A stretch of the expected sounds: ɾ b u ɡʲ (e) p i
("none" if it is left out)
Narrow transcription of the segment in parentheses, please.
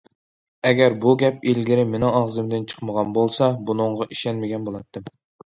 ɛ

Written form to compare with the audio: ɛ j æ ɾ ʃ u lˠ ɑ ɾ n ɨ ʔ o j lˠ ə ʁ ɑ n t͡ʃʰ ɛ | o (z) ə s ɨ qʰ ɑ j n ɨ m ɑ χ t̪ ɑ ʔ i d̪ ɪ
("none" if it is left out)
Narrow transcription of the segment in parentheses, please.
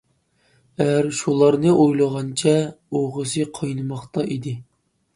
ʁ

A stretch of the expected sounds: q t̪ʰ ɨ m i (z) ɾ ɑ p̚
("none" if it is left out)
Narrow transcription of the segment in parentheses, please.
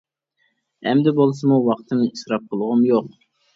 s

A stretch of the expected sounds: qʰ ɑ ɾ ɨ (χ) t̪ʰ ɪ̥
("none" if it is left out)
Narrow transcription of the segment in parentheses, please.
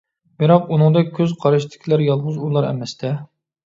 ʃ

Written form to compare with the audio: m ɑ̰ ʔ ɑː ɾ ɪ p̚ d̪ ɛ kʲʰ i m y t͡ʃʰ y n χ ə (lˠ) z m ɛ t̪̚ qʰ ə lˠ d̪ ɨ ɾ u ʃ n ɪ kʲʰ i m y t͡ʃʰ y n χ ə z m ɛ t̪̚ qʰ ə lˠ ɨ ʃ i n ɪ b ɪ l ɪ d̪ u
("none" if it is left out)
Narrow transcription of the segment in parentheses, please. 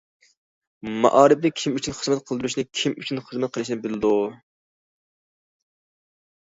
none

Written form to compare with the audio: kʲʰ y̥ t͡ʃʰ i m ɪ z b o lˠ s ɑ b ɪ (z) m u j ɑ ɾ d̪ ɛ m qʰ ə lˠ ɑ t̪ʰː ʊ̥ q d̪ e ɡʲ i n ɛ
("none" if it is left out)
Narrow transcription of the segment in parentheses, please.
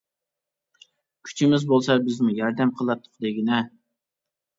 z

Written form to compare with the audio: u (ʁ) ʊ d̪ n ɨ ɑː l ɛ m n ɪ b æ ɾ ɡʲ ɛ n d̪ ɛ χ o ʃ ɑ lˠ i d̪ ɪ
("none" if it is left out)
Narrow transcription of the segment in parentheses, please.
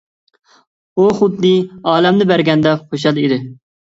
χ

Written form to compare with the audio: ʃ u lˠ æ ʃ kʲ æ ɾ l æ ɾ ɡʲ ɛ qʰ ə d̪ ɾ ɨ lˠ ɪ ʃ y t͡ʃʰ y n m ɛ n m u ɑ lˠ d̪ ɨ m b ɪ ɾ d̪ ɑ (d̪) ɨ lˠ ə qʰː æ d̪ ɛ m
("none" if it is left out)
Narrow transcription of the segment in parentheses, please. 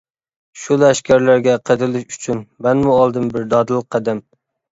d̪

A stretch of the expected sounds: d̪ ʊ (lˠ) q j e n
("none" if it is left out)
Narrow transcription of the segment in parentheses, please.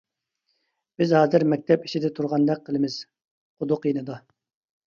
none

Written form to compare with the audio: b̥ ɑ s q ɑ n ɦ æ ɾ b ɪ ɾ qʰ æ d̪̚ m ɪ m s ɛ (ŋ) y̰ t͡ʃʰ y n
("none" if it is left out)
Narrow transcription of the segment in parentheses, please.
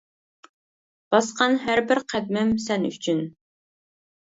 n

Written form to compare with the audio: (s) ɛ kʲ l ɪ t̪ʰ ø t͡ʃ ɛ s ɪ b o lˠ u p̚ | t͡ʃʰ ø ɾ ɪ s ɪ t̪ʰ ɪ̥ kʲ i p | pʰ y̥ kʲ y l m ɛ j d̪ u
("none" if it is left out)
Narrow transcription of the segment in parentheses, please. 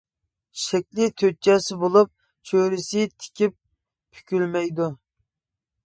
ʃ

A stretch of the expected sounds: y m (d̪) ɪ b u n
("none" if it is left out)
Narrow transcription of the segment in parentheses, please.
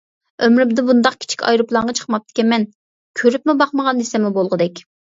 d̪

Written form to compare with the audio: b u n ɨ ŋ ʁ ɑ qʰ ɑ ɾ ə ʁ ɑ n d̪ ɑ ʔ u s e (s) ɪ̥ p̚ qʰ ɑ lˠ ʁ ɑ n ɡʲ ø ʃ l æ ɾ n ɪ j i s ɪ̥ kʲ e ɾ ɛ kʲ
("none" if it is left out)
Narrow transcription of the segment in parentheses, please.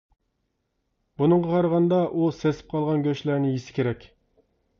s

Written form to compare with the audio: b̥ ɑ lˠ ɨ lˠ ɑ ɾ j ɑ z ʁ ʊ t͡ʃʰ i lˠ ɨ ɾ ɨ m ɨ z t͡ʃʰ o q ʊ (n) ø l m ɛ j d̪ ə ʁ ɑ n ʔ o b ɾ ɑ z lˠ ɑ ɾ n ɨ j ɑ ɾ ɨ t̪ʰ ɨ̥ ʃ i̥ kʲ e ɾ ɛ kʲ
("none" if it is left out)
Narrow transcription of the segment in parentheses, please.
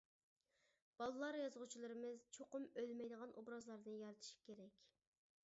m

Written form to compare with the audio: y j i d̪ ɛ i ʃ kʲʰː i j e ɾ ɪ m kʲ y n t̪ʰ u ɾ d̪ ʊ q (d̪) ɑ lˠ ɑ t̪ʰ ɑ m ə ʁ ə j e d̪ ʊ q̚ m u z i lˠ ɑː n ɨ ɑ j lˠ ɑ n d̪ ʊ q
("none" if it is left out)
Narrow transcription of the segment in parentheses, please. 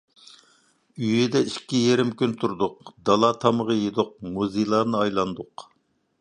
d̪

